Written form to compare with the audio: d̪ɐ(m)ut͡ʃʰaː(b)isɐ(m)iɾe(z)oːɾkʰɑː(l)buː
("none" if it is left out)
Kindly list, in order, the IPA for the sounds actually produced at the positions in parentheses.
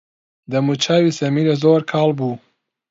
m, w, m, z, l

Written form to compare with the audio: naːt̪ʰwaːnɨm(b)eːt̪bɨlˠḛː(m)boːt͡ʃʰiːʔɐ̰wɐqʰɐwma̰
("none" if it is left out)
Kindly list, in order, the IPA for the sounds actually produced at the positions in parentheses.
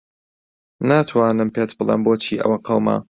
p, m

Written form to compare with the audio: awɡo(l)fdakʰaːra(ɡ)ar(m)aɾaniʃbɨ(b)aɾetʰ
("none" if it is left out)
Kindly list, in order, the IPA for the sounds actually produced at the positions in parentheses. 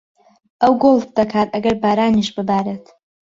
l, ɡ, b, b

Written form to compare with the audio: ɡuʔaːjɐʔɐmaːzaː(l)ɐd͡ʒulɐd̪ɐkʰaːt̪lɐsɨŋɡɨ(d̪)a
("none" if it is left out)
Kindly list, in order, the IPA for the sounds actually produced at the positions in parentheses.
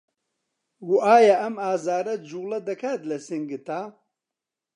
ɾ, t̪

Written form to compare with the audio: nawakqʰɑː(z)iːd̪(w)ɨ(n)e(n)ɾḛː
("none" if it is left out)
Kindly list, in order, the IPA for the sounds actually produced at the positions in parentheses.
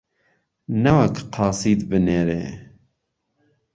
s, b, n, none

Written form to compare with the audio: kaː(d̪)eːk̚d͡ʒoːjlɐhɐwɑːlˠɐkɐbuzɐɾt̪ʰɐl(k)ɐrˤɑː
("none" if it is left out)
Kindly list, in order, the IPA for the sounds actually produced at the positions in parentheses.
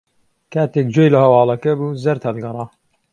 t̪, ɡ

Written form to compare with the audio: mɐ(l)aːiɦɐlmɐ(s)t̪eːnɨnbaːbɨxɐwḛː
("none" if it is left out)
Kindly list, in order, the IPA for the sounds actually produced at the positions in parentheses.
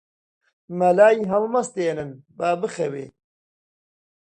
l, s

